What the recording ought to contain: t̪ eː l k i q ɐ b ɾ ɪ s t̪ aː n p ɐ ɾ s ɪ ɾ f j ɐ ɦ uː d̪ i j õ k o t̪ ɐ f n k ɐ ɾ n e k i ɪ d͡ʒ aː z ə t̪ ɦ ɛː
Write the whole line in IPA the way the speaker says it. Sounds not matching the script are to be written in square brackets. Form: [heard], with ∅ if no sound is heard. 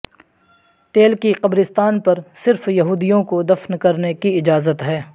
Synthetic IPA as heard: t̪ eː l k i q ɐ b ɾ ɪ s t̪ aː n p ɐ ɾ s ɪ ɾ f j ɐ ɦ uː d̪ i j õ k o [d̪] ɐ f n k ɐ ɾ n e k i ɪ d͡ʒ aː z ə t̪ ɦ ɛː